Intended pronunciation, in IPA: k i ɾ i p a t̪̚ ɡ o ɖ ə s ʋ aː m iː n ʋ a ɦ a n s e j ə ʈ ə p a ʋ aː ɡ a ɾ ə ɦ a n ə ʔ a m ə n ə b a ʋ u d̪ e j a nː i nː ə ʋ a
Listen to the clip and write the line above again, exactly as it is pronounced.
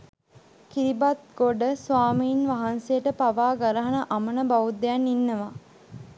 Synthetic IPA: k i ɾ i b a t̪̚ ɡ o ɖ ə s ʋ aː m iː n ʋ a ɦ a n s e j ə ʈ ə p a ʋ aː ɡ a ɾ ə ɦ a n ə ʔ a m ə n ə b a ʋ u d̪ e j a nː i nː ə ʋ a